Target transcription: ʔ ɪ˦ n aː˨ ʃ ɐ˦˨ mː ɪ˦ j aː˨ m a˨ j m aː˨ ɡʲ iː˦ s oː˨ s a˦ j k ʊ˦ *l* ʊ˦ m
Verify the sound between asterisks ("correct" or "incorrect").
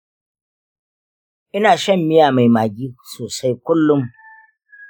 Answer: incorrect